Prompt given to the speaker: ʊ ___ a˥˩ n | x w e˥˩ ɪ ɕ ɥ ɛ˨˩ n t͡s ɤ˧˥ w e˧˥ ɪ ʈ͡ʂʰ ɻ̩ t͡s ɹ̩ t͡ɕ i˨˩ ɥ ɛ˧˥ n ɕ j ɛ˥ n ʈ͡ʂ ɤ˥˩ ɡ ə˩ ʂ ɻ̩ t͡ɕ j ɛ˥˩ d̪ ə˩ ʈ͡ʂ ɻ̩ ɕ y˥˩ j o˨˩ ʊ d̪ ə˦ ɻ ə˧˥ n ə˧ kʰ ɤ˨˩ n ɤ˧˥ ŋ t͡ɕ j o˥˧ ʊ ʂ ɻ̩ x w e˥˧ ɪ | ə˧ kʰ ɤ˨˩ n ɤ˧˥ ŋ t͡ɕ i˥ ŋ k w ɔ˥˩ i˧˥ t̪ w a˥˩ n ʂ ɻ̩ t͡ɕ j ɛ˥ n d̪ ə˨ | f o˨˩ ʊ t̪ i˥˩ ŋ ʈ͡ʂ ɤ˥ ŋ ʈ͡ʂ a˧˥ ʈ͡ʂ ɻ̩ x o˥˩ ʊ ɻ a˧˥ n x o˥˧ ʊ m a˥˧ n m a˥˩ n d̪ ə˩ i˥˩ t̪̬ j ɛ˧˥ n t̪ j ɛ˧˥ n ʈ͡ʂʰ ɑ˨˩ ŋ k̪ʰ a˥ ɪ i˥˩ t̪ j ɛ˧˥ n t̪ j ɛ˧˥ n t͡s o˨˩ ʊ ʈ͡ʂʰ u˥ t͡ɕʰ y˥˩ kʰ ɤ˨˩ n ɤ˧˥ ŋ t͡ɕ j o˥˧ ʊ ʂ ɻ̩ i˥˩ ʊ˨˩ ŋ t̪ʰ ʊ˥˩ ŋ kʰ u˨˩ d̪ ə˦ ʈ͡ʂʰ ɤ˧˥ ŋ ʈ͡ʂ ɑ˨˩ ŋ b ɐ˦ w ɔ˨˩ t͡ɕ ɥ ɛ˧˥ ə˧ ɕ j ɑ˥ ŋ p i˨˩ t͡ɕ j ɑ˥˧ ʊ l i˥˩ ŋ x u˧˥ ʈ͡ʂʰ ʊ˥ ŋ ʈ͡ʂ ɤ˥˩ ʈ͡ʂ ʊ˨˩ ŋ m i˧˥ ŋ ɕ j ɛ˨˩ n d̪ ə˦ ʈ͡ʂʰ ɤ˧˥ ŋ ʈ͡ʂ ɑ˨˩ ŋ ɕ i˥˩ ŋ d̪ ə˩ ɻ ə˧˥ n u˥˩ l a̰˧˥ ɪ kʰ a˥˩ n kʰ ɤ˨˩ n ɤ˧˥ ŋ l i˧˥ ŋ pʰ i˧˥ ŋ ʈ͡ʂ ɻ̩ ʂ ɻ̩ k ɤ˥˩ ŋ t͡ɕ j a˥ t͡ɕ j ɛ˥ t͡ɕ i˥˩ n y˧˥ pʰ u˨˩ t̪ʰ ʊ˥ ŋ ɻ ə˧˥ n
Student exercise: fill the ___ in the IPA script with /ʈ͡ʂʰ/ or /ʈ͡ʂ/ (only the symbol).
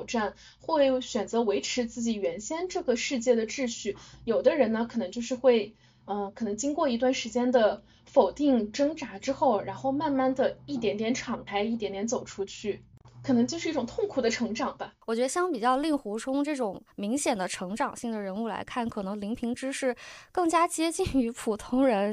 ʈ͡ʂ